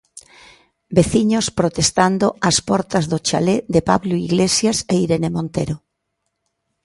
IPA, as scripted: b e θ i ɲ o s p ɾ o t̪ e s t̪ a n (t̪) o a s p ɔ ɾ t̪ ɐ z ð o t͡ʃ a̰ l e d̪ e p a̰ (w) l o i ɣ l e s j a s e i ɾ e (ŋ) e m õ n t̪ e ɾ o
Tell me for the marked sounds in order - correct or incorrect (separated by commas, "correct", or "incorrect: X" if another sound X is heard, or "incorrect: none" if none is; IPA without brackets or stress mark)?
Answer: incorrect: d̪, incorrect: β, incorrect: n